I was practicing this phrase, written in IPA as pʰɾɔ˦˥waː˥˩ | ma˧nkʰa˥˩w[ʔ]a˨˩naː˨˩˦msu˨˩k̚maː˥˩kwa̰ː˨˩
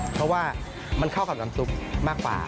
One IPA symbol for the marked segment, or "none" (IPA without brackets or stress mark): k